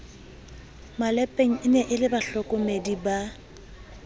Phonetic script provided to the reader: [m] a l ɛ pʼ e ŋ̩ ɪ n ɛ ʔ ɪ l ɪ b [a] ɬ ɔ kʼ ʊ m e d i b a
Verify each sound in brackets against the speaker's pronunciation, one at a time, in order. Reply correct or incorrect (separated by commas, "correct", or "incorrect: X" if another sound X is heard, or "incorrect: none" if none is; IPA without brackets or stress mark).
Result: correct, correct